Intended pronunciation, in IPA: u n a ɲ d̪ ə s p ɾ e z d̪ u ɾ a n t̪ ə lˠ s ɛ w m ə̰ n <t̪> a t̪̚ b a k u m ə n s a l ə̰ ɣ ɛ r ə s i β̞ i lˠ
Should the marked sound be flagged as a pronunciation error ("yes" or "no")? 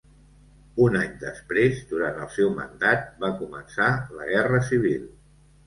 yes